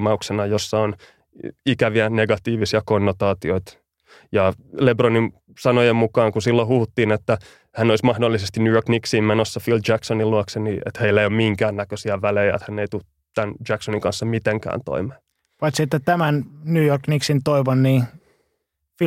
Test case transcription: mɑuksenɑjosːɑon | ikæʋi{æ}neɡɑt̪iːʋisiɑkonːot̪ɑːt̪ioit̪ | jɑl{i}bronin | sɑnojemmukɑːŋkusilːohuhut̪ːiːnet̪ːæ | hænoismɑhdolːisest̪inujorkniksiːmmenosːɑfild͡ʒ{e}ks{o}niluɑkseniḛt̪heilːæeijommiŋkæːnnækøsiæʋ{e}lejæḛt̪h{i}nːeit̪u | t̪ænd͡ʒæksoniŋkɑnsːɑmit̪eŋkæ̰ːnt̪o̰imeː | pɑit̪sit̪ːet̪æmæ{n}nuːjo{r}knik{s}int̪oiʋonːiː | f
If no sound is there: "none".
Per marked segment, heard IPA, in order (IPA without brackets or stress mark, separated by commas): æ, e, æ, o, æ, æ, n, r, s